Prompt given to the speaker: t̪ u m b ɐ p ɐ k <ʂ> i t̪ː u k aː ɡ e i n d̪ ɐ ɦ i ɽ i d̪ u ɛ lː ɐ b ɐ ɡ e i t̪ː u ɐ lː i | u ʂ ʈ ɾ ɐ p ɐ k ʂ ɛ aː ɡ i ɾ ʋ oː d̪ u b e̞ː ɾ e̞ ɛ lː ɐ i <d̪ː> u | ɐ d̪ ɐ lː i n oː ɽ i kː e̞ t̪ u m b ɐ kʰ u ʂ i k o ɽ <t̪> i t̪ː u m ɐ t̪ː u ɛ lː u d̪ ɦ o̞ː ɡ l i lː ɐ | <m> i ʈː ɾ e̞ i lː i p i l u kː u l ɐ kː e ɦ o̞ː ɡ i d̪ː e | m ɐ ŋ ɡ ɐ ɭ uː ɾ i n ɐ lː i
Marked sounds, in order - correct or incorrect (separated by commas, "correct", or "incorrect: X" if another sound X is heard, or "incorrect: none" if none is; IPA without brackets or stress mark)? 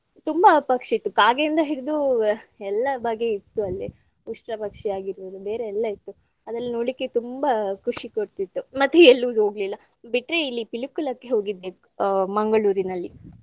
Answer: correct, incorrect: t̪ː, correct, incorrect: b